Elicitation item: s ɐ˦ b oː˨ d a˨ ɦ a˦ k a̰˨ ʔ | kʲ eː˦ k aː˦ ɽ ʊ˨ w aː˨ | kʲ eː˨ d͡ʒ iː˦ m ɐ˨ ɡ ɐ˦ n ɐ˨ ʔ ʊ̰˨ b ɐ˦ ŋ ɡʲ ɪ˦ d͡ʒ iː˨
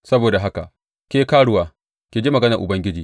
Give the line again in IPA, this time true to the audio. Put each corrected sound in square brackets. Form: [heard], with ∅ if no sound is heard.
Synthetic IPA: s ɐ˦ b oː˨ d a˨ ɦ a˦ k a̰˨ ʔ | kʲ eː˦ k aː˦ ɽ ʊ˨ w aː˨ | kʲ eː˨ d͡ʒ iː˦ m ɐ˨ ɡ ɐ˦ n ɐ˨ ʔ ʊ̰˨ b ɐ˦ ŋ ɡʲ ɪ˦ d͡ʒ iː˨